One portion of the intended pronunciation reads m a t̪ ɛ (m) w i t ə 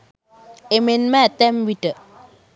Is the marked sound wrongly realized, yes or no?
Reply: no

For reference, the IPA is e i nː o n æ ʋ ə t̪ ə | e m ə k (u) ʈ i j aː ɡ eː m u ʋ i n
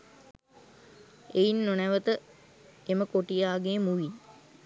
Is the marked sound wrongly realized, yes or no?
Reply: yes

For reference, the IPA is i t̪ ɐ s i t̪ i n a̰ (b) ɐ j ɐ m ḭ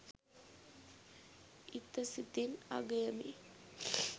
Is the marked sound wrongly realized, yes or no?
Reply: yes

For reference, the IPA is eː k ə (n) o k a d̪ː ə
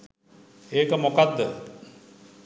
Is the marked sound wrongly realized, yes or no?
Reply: yes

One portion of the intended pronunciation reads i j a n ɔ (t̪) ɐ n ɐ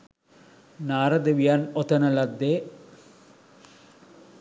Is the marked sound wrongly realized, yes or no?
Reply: no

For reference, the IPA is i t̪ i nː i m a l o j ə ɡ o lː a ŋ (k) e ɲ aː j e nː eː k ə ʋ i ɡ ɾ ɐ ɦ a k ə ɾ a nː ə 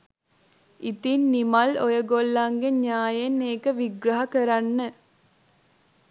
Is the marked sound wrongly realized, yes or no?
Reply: yes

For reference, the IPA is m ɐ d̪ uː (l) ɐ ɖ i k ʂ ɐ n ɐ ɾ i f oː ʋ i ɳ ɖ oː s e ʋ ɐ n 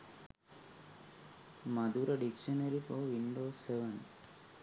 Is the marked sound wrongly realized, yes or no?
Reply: yes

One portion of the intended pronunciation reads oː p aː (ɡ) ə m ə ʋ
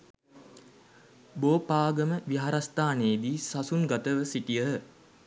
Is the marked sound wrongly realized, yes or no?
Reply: no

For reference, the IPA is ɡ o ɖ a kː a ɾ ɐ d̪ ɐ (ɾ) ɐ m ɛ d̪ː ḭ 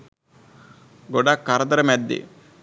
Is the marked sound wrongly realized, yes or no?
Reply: no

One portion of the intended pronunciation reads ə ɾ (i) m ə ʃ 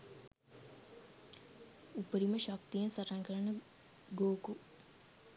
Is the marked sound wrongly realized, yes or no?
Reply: no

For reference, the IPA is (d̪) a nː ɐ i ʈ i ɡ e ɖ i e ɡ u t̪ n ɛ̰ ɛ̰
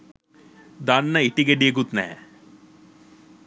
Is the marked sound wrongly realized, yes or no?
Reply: no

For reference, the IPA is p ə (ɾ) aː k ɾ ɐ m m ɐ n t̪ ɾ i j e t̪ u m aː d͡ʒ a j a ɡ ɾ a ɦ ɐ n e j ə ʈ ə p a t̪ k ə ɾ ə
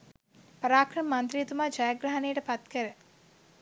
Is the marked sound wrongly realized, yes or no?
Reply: no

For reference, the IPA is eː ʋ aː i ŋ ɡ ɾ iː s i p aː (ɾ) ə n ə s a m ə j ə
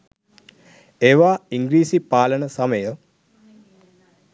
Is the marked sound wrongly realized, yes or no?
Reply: yes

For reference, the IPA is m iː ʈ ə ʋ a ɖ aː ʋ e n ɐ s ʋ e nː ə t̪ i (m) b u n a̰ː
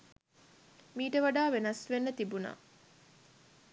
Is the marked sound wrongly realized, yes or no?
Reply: yes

